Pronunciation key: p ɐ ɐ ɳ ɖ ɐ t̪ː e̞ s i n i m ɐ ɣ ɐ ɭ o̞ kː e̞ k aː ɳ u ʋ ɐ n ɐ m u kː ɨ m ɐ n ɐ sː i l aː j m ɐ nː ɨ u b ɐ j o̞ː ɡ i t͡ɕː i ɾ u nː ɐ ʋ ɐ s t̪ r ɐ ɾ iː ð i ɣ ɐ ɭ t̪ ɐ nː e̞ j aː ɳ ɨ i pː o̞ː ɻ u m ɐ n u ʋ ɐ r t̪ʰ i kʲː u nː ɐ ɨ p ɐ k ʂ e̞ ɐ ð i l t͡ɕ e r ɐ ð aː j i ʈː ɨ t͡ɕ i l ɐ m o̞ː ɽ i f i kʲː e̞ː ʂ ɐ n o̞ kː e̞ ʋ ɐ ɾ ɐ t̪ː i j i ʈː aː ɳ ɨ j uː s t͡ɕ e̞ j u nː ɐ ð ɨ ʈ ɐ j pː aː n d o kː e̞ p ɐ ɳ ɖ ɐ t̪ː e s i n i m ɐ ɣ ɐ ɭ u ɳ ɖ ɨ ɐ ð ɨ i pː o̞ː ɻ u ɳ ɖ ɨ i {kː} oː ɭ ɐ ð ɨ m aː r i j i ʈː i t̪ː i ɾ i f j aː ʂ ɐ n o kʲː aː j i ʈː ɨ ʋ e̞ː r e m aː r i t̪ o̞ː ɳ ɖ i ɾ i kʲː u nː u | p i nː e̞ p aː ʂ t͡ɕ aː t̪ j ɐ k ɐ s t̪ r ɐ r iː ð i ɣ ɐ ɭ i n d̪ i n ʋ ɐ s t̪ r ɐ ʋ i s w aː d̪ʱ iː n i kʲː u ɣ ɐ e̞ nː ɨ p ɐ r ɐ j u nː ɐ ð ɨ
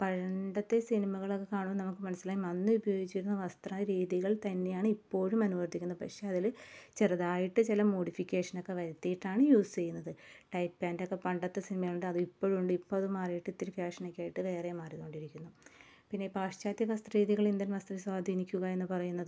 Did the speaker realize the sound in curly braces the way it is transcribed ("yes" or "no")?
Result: no